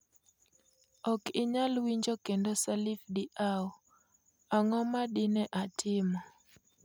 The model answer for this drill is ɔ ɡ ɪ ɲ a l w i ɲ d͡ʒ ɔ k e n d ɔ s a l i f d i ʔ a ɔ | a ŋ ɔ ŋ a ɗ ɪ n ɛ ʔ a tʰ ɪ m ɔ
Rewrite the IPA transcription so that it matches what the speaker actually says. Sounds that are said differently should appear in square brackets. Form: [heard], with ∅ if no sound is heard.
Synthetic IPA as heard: ɔ [k] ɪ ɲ a l w i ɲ d͡ʒ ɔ k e n d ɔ s a l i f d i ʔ a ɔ | a ŋ ɔ [m] a ɗ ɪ n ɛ ʔ a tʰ ɪ m ɔ